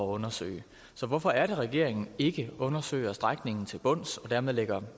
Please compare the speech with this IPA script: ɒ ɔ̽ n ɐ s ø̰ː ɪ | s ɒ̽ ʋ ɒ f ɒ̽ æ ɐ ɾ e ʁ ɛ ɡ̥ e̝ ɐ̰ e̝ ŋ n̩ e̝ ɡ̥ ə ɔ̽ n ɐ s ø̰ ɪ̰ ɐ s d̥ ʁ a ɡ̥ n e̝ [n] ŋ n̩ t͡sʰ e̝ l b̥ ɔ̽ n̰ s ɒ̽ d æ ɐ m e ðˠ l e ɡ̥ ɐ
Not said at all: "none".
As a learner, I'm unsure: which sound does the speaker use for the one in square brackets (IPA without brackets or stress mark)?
none